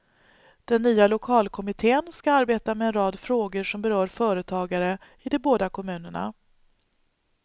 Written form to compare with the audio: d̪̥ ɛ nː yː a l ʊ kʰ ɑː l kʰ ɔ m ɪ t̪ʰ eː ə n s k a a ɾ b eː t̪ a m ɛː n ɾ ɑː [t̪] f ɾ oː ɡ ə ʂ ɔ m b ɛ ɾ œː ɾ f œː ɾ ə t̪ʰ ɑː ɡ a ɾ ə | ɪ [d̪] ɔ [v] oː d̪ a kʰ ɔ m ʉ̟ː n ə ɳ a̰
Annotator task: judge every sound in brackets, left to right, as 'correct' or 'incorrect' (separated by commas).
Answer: incorrect, correct, incorrect